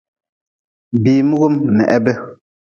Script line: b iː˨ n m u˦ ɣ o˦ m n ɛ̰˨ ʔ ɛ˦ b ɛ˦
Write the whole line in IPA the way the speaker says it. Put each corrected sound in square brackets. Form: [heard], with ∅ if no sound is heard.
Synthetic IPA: b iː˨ [∅] m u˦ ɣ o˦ m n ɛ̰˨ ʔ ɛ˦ b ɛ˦